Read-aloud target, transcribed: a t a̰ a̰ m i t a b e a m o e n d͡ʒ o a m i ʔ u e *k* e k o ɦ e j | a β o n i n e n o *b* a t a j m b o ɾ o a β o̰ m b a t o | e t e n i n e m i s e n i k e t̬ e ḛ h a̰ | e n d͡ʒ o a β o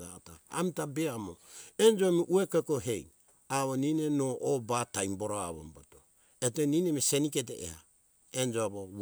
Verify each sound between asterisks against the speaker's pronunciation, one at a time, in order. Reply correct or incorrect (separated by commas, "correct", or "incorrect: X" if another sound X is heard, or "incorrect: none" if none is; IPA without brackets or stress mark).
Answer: correct, correct